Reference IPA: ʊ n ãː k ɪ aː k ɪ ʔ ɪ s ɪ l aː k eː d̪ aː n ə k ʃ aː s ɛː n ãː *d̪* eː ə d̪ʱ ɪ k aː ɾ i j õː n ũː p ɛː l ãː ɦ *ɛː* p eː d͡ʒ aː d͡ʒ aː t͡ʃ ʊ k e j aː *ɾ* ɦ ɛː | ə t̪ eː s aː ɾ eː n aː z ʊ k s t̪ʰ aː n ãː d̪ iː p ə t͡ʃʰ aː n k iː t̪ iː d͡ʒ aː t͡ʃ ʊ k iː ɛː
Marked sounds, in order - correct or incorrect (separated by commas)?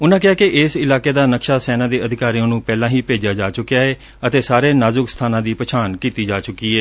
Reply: correct, incorrect, incorrect